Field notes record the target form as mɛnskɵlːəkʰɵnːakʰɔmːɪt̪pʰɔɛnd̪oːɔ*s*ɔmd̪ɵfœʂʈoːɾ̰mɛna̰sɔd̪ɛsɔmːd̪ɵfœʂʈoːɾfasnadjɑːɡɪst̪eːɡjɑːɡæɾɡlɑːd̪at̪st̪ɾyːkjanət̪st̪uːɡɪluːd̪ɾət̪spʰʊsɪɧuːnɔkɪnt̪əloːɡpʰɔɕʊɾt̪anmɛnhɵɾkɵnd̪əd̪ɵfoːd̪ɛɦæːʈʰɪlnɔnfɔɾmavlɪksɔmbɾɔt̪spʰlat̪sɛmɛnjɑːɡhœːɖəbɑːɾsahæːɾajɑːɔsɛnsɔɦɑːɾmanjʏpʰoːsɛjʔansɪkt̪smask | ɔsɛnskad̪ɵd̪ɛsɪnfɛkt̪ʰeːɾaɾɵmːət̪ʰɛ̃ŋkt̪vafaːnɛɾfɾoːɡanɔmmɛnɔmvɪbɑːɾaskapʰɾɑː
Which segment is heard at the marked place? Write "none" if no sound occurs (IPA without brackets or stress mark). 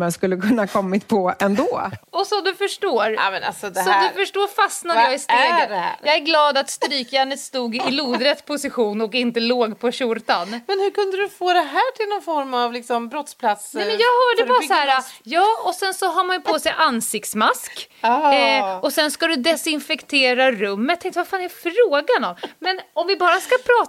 s